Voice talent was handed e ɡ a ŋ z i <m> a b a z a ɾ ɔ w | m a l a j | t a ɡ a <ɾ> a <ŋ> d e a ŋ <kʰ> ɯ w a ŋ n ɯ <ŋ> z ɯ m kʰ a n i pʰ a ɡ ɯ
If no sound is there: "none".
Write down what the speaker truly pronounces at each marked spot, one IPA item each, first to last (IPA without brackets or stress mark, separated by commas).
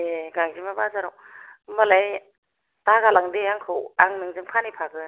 m, l, ŋ, kʰ, ŋ